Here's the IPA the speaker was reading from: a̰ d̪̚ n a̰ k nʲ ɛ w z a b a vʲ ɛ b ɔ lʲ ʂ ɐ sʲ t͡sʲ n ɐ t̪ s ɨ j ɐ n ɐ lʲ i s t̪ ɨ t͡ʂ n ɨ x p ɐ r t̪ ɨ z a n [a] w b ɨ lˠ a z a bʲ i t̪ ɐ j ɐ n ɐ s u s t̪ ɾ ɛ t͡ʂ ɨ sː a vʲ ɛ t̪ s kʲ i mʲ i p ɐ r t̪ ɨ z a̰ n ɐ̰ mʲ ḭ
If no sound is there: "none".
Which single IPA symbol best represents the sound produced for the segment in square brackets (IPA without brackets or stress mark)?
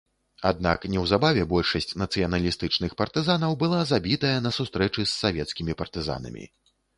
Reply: ɐ